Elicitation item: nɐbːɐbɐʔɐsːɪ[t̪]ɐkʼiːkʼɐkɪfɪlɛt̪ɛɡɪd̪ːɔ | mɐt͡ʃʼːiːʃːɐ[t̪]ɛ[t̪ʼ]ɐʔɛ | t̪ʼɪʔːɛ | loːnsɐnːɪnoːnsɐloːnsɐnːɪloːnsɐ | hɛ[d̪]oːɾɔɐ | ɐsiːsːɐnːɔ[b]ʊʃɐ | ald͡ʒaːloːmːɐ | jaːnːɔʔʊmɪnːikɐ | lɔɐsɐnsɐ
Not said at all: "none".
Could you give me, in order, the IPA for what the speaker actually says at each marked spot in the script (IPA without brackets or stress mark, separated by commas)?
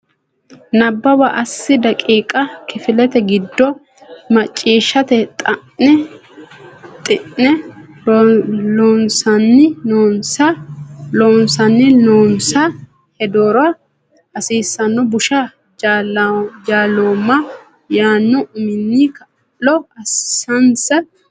d̪, t̪, t̪ʼ, d̪, b